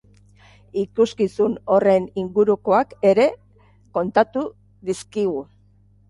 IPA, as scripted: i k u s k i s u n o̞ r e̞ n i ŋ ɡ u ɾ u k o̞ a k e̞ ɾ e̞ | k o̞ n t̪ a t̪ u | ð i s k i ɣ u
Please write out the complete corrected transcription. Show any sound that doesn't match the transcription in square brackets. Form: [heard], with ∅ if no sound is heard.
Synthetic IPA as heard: i k u s k i s u n o̞ r e̞ n i ŋ ɡ u ɾ u k o̞ a k e̞ ɾ e̞ | k o̞ n t̪ a t̪ u | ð i s k i ɣ u